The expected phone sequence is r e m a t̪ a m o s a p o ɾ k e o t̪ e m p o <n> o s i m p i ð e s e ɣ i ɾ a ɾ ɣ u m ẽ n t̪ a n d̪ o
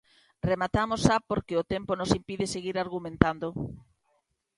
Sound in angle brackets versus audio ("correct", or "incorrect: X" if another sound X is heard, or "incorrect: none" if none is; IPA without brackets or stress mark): correct